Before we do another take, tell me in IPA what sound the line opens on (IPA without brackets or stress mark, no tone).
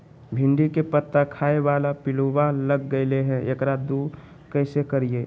bʱ